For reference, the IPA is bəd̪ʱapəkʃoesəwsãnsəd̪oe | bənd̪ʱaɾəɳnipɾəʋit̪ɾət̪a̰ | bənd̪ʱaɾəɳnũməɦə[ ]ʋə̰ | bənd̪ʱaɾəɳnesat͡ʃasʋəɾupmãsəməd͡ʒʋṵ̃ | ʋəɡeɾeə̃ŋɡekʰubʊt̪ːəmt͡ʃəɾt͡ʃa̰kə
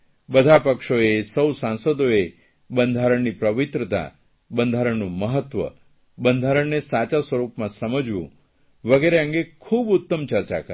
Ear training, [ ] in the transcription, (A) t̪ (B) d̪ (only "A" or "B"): A